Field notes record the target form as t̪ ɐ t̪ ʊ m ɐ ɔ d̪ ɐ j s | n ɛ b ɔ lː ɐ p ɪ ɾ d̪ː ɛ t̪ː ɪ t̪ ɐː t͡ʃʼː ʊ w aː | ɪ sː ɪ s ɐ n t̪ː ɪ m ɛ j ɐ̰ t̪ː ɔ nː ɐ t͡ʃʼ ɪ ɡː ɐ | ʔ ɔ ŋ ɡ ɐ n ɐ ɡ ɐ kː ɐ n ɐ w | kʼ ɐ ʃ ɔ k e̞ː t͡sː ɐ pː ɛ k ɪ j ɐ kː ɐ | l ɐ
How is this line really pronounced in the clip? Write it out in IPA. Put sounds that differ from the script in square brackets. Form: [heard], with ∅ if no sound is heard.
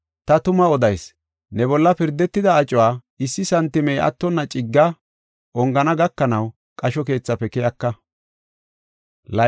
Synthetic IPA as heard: t̪ ɐ t̪ ʊ m ɐ ɔ d̪ ɐ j s | n ɛ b ɔ lː ɐ p ɪ ɾ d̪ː ɛ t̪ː ɪ [d̪] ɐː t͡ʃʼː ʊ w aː | ɪ sː ɪ s ɐ n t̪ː ɪ m ɛ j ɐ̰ t̪ː ɔ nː ɐ t͡ʃʼ ɪ ɡː ɐ | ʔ ɔ ŋ ɡ ɐ n ɐ ɡ ɐ kː ɐ n ɐ w | kʼ ɐ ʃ ɔ k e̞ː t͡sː ɐ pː ɛ k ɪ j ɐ kː ɐ | l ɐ